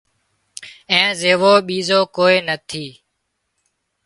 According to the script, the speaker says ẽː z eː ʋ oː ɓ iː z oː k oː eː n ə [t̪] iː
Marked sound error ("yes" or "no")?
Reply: yes